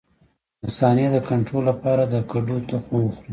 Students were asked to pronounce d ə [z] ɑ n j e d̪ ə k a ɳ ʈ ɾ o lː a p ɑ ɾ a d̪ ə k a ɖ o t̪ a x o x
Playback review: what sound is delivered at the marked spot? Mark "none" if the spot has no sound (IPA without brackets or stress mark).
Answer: s